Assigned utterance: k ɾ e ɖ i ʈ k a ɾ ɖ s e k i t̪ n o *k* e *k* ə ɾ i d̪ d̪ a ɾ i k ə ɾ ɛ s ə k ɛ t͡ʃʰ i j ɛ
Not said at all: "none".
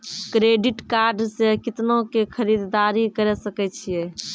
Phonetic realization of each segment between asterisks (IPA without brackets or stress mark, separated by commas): k, kʰ